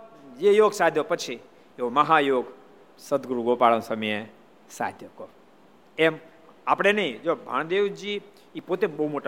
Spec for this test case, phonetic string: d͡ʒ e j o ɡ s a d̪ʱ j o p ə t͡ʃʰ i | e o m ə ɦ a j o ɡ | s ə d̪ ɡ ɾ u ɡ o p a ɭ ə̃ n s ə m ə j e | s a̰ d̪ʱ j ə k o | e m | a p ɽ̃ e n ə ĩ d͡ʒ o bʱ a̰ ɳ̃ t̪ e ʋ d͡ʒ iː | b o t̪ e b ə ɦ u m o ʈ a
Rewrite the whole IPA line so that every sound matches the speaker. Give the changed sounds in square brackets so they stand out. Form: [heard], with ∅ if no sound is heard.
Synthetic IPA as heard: d͡ʒ e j o ɡ s a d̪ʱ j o p ə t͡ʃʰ i | e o m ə ɦ a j o ɡ | s ə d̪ ɡ ɾ u ɡ o p a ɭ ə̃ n s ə m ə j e | s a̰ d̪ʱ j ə k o | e m | a p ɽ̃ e n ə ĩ d͡ʒ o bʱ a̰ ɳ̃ [d̪] e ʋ d͡ʒ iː | [p] o t̪ e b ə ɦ u m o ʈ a